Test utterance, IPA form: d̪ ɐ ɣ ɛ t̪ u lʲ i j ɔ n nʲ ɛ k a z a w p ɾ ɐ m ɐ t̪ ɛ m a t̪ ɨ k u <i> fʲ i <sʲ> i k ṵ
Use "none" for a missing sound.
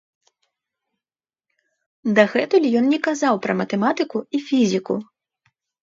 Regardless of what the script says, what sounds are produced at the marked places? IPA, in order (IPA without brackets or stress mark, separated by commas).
i, zʲ